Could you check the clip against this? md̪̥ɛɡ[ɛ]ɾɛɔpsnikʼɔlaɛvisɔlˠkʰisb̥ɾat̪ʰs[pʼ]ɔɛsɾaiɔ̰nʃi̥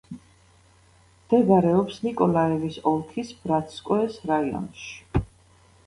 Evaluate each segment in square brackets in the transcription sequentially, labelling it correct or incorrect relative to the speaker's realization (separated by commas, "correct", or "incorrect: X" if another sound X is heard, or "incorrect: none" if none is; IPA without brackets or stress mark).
incorrect: a, incorrect: kʼ